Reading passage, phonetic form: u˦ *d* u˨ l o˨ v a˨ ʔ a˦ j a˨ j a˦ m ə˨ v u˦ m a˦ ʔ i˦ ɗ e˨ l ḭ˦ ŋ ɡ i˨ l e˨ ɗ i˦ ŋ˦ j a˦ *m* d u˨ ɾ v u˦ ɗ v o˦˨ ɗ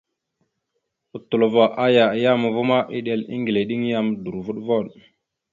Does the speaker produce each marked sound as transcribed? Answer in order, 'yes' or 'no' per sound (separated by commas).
no, yes